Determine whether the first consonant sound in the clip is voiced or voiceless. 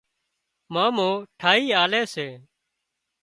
voiced